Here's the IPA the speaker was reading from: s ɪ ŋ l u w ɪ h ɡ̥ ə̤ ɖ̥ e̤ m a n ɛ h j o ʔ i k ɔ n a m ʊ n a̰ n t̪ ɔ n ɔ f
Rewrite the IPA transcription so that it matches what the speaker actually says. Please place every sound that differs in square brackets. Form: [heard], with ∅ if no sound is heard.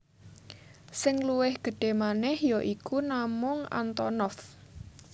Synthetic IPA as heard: s ɪ ŋ l u w ɪ h ɡ̥ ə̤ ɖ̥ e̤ m a n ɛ h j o ʔ i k [u] n a m ʊ [ŋ] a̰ n t̪ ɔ n ɔ f